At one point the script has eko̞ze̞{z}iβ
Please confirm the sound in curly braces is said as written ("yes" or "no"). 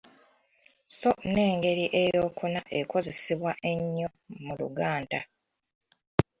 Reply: no